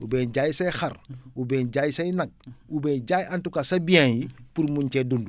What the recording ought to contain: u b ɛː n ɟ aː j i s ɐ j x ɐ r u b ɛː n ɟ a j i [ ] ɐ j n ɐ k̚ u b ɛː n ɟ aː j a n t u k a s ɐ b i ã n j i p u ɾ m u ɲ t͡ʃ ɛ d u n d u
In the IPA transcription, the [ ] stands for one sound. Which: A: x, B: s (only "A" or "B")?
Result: B